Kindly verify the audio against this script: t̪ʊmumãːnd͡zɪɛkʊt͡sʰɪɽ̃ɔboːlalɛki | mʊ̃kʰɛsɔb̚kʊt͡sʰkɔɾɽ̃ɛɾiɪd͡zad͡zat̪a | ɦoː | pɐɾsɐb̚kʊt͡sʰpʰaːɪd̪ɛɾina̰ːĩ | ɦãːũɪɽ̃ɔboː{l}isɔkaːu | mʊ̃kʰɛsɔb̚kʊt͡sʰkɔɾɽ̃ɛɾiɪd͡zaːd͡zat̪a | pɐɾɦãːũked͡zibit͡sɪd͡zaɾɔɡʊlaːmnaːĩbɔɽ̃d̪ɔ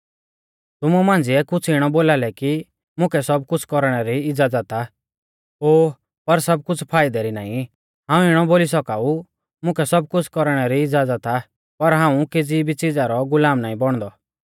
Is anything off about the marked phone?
no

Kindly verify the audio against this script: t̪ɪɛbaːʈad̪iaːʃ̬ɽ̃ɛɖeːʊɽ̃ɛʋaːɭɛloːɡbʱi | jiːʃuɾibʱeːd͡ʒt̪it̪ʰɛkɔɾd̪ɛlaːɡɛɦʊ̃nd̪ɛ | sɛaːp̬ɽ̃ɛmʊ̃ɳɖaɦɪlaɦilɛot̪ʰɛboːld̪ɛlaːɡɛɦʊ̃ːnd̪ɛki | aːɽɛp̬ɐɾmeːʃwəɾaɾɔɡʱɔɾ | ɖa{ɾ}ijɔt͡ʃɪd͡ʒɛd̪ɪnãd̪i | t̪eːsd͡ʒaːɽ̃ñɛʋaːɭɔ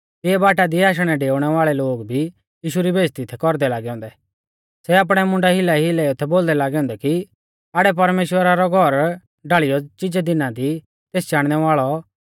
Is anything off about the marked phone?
yes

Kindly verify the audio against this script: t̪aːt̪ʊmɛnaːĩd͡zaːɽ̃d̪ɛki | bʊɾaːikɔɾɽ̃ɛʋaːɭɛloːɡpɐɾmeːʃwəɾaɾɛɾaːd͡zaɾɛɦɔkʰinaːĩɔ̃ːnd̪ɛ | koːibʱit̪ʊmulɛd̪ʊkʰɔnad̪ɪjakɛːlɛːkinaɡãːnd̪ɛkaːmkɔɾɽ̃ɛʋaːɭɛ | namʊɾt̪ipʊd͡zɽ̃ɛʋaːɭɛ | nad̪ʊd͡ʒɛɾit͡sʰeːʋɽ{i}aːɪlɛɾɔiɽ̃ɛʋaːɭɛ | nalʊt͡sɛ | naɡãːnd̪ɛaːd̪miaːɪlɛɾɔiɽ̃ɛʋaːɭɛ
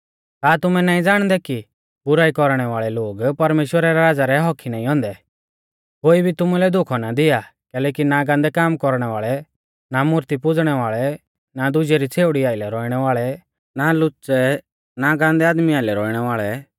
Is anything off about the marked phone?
no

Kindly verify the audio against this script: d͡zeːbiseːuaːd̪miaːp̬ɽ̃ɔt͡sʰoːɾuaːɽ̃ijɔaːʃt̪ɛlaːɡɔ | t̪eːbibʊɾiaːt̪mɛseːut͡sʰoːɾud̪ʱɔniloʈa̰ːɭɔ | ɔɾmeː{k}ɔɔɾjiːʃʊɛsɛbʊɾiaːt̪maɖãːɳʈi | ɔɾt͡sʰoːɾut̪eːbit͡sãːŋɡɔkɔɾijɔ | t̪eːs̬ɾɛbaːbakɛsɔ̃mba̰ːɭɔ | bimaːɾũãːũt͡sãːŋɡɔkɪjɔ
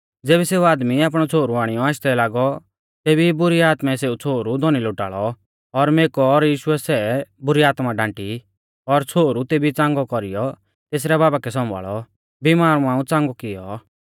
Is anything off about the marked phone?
no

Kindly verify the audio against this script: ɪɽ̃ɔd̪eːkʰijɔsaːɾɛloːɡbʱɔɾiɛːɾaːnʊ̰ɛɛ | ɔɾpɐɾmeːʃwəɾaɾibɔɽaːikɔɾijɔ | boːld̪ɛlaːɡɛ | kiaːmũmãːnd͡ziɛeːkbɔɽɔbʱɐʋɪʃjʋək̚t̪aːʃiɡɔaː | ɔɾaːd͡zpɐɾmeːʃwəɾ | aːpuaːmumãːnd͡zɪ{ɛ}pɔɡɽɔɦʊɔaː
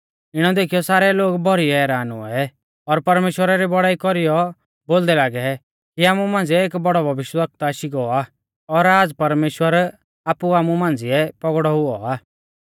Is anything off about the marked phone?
no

